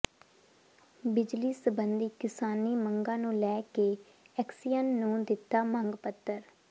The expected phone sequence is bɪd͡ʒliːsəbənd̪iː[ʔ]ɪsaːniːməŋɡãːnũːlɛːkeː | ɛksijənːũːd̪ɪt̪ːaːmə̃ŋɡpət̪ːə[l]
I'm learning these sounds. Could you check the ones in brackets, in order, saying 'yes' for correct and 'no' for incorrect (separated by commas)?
no, no